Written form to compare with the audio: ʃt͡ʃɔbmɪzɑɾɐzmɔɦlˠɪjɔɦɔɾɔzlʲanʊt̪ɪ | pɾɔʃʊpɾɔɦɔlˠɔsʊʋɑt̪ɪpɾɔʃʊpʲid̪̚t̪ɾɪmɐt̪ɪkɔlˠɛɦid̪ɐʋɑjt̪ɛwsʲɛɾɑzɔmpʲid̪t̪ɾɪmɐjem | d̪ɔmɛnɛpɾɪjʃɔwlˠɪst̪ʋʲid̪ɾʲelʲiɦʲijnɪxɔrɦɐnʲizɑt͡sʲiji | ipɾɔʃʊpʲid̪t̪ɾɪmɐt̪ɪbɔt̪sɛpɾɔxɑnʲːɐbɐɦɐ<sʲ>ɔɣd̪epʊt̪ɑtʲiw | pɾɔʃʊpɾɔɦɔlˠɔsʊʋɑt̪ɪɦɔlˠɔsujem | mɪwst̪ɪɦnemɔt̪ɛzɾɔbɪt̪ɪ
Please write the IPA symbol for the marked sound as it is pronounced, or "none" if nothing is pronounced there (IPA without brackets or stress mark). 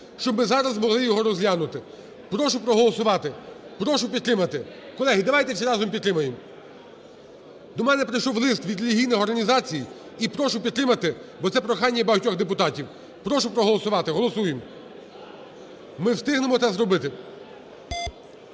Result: tʲ